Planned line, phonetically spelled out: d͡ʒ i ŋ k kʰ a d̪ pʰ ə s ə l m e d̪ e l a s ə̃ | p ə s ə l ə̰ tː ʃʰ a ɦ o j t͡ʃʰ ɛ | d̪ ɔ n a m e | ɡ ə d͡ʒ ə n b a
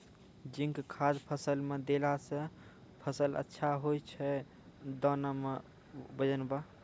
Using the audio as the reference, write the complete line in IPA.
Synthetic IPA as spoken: d͡ʒ i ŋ k kʰ a d̪ pʰ ə s ə l m e d̪ e l a s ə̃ | pʰ ə s ə l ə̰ tː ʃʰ a ɦ o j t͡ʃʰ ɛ | d̪ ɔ n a m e | b ə d͡ʒ ə n b a